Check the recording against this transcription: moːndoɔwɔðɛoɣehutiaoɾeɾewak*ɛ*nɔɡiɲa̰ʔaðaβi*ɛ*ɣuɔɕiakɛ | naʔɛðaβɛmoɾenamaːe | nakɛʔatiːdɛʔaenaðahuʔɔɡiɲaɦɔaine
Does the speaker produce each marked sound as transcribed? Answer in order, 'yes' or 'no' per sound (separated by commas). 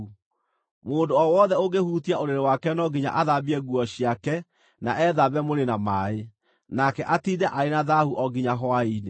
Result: yes, yes